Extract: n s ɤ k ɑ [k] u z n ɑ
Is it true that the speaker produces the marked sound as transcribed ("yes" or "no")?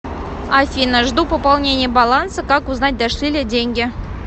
yes